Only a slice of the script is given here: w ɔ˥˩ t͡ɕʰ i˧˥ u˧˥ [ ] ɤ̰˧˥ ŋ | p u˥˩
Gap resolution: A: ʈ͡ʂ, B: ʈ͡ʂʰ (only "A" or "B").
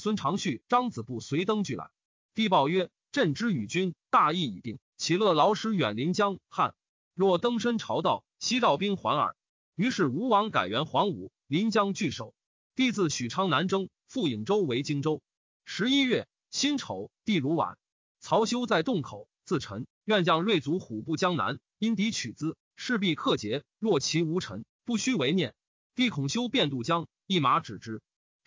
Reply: B